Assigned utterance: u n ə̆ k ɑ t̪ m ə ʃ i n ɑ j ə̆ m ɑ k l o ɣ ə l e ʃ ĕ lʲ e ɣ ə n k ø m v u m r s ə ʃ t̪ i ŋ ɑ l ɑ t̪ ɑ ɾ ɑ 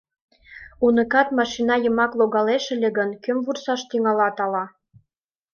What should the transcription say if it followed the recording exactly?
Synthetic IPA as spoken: u n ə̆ k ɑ t̪ m ɑ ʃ i n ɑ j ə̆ m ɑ k l o ɣ ɑ l e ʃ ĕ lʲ e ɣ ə n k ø m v u r s ɑ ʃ t̪ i ŋ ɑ l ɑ t̪ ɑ l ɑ